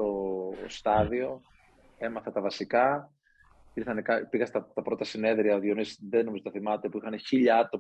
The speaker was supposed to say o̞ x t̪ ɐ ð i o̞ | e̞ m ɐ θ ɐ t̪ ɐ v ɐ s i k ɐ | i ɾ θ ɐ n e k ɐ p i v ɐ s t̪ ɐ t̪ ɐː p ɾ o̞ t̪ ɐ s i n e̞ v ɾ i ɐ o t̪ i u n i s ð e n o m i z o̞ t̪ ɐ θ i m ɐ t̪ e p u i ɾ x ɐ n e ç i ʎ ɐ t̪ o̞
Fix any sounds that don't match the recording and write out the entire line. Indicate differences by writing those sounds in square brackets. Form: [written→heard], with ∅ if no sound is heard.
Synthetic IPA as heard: o̞ [x→s] t̪ ɐ ð i o̞ | e̞ m ɐ θ ɐ t̪ ɐ v ɐ s i k ɐ | i ɾ θ ɐ n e k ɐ p i [v→ɣ] ɐ s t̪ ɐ t̪ [ɐː→ɐ] p ɾ o̞ t̪ ɐ s i n e̞ [v→ð] ɾ i ɐ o t̪ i [u→o] n i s ð e n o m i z o̞ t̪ ɐ θ i m ɐ t̪ e p u i [ɾ→∅] x ɐ n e ç i ʎ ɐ t̪ o̞